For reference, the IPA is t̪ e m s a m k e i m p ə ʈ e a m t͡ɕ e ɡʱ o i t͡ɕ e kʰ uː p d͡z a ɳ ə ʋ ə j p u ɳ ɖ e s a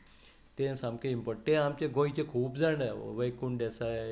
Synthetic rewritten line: t̪ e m s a m k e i m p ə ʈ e a m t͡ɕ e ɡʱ o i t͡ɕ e kʰ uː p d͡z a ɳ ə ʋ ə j k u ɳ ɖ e s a